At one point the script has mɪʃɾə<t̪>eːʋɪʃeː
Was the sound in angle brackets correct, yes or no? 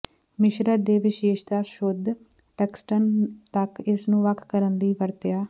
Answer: no